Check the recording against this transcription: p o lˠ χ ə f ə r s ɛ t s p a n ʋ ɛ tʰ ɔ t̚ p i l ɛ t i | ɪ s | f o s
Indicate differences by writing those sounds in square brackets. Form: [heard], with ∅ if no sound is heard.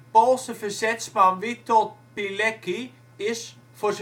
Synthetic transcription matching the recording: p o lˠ [s] ə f ə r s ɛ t s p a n ʋ [i] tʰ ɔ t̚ p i l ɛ [k] i | ɪ s | f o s

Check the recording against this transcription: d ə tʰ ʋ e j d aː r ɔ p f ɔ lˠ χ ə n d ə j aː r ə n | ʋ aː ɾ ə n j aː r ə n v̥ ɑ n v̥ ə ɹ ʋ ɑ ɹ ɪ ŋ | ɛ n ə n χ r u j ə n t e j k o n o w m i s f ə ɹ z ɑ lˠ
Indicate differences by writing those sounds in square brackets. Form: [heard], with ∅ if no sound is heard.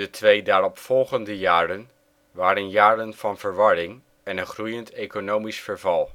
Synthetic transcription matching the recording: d ə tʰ ʋ e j d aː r ɔ p f ɔ lˠ χ ə n d ə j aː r ə n | ʋ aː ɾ ə n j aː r ə n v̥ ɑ n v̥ ə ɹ ʋ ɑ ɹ ɪ ŋ | ɛ n ə n χ r u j ə n t e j k o n o w m i s f ə ɹ [v] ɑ lˠ

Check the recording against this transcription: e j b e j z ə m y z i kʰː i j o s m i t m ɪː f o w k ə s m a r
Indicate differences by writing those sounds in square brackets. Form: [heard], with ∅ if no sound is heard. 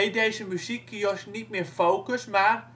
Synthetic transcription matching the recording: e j [d] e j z ə m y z i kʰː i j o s [n] i t m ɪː f o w k ə s m a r

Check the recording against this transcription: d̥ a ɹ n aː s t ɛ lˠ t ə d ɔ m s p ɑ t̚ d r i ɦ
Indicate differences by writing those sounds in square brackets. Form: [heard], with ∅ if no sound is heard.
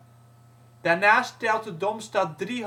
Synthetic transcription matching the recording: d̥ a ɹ n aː s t ɛ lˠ t ə d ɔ m s [t] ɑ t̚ d r i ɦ

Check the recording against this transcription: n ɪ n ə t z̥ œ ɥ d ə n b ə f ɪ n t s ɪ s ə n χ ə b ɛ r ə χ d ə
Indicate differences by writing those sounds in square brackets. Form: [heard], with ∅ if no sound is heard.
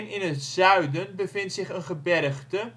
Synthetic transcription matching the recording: n ɪ n ə t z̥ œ ɥ d ə n b ə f ɪ n t s ɪ [χ] ə n χ ə b ɛ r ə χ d ə

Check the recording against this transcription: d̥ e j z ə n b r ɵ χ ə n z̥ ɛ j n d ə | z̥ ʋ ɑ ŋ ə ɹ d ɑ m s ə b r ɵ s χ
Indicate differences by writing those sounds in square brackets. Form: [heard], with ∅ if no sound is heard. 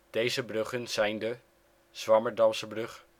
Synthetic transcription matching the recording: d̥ e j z ə [∅] b r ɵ χ ə n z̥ ɛ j n d ə | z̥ ʋ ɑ [m] ə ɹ d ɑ m s ə b r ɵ [∅] χ

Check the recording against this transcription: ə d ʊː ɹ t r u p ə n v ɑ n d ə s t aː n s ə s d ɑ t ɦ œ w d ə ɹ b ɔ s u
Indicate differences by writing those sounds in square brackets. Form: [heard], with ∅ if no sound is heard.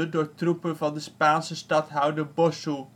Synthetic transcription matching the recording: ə d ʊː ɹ t r u p ə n v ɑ n d ə s [p] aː n s ə s [t] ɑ t ɦ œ w d ə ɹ b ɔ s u

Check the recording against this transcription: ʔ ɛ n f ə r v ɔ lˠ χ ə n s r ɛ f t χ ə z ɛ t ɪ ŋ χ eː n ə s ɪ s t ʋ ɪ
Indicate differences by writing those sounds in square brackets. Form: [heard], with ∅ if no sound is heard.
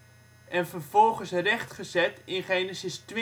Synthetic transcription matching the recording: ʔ ɛ n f ə r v ɔ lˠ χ ə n s r ɛ [χ] t χ ə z ɛ t ɪ [n] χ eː n ə s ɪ s t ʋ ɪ

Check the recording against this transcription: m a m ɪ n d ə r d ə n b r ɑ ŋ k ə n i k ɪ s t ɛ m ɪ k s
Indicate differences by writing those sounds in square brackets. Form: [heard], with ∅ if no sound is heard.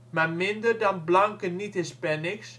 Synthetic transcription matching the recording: m a m ɪ n d ə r d [ɑ] n b [l] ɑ ŋ k ə n i [t] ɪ s [p] ɛ [n] ɪ k s

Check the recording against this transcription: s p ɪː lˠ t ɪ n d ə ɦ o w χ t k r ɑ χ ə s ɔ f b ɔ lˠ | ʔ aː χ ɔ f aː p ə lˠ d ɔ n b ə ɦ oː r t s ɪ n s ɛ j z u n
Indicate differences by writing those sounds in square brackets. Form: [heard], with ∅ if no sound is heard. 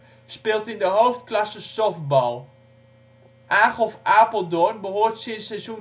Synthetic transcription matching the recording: s p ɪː lˠ t ɪ n d ə ɦ o w [f] t k [l] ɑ [s] ə s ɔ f b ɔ lˠ | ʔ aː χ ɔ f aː p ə lˠ d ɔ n b ə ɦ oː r t s ɪ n s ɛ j z u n

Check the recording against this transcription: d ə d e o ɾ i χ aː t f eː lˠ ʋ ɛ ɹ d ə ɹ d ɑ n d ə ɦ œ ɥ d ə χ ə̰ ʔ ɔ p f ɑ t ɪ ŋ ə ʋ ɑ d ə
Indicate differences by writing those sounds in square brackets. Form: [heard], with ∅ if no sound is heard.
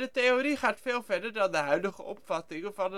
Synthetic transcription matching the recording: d ə [t] e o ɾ i χ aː t f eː lˠ [v] ɛ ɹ d ə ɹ d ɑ n d ə ɦ œ ɥ d ə χ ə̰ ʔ ɔ p f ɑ t ɪ ŋ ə [v] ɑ [n] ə

